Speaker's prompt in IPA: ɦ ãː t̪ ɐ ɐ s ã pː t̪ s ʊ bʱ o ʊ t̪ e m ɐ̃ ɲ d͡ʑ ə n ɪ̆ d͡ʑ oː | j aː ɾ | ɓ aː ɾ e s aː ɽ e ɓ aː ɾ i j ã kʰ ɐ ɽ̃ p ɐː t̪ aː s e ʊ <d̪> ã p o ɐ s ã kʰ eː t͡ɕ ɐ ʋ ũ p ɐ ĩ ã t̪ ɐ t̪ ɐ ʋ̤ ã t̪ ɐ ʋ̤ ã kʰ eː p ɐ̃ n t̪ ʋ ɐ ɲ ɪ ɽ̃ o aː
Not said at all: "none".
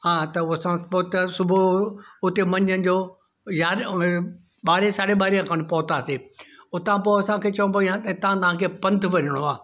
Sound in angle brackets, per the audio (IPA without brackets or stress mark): t̪